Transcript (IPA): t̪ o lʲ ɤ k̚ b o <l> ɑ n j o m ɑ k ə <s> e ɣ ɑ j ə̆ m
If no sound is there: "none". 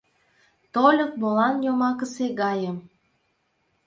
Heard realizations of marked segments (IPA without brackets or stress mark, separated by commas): l, s